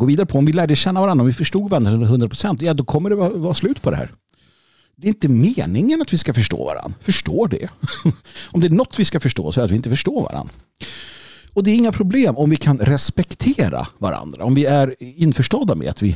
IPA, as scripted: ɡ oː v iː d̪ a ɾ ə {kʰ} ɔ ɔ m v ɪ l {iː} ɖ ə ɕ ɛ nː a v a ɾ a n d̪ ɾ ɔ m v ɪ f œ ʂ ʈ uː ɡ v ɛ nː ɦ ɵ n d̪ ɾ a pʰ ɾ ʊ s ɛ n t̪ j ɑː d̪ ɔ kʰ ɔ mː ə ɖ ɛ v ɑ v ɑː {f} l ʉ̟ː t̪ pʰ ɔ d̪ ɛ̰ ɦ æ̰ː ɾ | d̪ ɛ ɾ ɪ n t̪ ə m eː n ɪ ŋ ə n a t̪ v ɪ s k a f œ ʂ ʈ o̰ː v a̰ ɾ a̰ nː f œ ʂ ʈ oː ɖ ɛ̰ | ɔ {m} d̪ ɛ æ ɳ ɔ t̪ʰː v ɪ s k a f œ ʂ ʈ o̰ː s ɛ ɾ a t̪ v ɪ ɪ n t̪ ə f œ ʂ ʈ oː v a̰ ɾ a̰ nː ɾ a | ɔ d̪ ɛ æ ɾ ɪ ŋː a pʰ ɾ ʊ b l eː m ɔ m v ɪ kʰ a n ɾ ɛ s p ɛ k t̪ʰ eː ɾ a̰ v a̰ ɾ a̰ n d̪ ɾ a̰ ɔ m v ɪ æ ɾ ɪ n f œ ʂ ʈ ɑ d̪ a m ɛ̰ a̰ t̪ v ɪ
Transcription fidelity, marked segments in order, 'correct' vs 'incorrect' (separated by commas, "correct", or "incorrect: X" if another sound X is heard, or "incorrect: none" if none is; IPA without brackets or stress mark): incorrect: pʰ, incorrect: æː, incorrect: s, correct